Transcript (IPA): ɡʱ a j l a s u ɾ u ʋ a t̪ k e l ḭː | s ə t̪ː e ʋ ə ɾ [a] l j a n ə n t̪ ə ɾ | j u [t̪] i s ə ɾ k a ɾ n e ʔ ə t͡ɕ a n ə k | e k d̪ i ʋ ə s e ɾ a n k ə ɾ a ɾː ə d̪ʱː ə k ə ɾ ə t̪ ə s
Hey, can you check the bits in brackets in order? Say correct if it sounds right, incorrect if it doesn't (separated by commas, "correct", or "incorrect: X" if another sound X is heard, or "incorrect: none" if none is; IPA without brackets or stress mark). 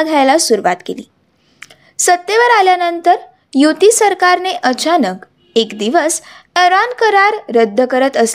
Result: correct, correct